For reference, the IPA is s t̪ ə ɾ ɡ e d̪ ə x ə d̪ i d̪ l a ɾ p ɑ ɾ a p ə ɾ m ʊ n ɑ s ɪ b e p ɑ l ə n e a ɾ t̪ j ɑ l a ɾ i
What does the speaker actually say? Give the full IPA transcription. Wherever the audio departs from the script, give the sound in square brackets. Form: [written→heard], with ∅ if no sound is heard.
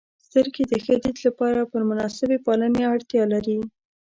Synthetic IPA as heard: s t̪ ə ɾ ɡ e d̪ ə x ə d̪ i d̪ l a [ɾ→∅] p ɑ ɾ a p ə ɾ m ʊ n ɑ s ɪ b e p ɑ l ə n e a [ɾ→ɽ] t̪ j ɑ l a ɾ i